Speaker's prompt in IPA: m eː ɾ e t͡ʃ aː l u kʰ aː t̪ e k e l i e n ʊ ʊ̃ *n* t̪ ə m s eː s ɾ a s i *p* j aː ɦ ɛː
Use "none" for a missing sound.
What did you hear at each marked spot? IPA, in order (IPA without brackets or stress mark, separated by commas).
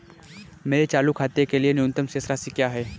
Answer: n, k